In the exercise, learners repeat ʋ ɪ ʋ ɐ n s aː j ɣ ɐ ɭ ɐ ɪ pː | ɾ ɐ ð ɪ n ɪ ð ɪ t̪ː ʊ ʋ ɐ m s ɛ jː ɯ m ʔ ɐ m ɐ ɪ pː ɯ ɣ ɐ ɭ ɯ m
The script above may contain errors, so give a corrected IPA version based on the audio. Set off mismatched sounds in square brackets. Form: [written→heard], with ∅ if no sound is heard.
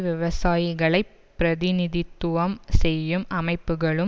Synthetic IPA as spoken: ʋ ɪ ʋ ɐ [n→∅] s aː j ɣ ɐ ɭ ɐ ɪ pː | ɾ ɐ ð ɪ n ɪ ð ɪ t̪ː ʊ ʋ ɐ m s ɛ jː ɯ m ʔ ɐ m ɐ ɪ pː ɯ ɣ ɐ ɭ ɯ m